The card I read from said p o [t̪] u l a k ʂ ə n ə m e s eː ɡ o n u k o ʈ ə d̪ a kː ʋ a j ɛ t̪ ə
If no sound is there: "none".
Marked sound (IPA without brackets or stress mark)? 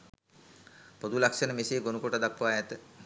d̪